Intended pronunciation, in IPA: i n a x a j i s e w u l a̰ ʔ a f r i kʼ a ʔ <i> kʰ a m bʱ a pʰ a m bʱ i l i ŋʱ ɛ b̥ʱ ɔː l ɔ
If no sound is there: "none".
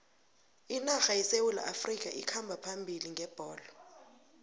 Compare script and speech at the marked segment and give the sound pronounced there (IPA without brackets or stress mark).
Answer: i